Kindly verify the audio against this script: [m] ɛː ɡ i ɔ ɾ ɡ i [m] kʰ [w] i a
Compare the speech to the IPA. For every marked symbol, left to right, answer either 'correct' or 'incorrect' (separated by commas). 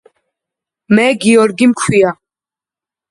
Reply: correct, correct, correct